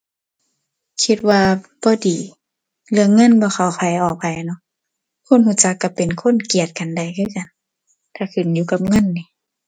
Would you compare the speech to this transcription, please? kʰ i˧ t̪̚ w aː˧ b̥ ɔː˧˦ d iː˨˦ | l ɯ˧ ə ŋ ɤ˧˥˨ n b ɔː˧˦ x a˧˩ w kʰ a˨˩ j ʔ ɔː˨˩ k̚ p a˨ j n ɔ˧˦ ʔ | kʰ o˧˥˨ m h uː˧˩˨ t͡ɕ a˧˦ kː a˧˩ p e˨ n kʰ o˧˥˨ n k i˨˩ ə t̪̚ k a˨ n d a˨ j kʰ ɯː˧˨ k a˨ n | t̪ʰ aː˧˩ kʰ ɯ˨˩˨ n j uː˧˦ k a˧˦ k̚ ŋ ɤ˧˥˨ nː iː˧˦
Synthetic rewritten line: kʰ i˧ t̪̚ w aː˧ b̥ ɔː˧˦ d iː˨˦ | l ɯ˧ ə ŋ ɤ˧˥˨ n b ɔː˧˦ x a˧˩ w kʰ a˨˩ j ʔ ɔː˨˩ k̚ p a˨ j n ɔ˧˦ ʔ | kʰ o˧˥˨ n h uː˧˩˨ t͡ɕ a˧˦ kː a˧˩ p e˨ n kʰ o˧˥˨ n k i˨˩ ə t̪̚ k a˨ n d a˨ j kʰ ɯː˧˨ k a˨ n | t̪ʰ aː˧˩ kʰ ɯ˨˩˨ n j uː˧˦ k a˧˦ p̚ ŋ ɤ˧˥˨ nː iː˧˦